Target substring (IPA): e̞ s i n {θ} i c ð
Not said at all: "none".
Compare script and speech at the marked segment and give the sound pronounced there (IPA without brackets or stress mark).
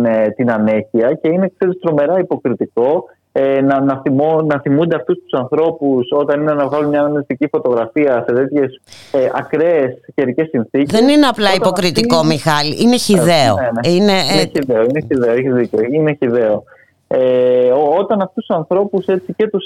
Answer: θ